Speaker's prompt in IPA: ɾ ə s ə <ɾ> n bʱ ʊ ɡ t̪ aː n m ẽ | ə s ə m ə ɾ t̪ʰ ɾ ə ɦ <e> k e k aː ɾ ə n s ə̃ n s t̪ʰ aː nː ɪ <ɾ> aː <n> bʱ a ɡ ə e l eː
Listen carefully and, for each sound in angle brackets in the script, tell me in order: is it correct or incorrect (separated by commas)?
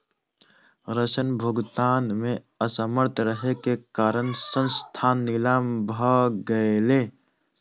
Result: incorrect, correct, incorrect, incorrect